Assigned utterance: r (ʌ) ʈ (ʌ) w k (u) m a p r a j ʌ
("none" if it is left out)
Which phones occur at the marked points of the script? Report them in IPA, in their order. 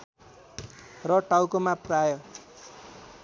ʌ, a, o

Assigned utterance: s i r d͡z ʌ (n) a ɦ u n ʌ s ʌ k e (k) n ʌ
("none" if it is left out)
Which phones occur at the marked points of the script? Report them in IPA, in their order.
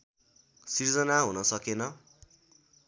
n, none

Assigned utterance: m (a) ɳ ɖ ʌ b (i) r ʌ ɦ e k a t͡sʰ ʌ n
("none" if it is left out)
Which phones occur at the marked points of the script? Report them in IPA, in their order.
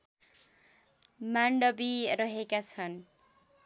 a, i

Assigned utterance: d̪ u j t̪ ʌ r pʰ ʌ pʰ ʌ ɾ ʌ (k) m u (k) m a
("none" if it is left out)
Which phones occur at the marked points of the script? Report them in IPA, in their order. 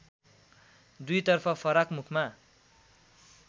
k, kʰ

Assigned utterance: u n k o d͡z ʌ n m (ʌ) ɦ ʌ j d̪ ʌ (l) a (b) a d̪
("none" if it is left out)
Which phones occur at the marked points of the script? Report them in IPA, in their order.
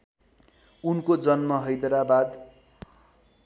ʌ, ɾ, b

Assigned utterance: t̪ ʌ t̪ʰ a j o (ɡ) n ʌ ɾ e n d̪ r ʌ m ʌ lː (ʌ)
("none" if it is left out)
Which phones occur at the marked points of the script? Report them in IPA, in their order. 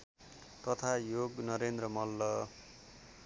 ɡ, ʌ

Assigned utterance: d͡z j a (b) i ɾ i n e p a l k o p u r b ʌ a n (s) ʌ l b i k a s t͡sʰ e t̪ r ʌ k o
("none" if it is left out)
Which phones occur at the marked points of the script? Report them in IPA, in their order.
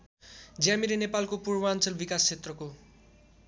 m, t͡s

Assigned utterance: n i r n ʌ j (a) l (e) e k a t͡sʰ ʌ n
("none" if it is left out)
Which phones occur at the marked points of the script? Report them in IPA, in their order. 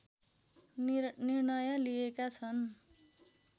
ʌ, i

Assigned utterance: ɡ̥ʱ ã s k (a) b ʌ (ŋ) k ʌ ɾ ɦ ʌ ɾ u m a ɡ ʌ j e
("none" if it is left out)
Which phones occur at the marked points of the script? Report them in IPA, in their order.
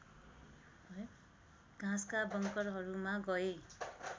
a, ŋ

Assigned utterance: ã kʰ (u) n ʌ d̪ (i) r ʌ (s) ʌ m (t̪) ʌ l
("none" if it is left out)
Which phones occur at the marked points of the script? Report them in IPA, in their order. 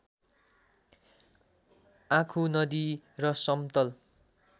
u, i, s, t̪

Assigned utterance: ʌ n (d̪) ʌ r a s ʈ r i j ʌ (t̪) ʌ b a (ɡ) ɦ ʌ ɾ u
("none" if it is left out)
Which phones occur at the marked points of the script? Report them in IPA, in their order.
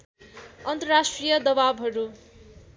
t̪, d̪, b

